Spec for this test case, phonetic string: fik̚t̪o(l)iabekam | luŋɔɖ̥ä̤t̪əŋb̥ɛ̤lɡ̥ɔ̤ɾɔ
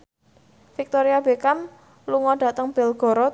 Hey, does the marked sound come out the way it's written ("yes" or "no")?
no